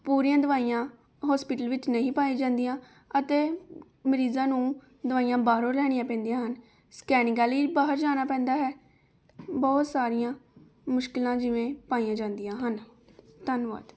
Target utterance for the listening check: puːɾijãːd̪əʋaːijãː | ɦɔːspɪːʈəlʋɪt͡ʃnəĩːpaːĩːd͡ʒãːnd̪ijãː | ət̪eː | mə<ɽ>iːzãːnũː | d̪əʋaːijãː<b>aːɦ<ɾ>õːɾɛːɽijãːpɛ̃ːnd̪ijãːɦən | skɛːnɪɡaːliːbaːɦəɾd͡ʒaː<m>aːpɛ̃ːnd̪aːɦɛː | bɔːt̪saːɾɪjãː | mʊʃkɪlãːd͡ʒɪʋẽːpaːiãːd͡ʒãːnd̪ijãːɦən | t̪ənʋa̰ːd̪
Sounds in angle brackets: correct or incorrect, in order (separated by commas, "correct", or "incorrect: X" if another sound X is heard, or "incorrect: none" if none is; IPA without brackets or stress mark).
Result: incorrect: ɾ, correct, correct, incorrect: n